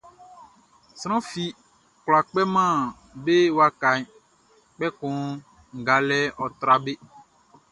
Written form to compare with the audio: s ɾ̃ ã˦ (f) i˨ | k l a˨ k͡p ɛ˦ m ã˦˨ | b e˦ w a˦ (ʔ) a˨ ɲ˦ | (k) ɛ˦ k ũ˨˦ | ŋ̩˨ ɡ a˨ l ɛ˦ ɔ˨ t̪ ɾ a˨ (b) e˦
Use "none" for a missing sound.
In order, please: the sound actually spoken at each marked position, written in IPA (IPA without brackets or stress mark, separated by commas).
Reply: f, k, k͡p, b